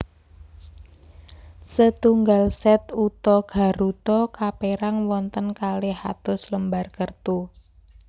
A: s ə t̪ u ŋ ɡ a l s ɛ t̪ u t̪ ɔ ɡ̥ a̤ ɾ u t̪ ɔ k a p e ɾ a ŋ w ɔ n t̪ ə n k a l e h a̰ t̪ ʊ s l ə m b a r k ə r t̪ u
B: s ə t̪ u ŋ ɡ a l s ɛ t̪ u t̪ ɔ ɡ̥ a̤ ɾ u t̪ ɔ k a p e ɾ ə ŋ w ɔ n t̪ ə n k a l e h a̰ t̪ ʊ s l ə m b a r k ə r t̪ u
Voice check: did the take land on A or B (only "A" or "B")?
A